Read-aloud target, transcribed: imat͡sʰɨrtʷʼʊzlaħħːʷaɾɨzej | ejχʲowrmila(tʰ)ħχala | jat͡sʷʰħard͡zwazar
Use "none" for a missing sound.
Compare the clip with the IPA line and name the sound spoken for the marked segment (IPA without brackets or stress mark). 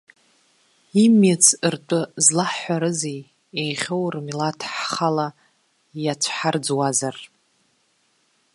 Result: tʰ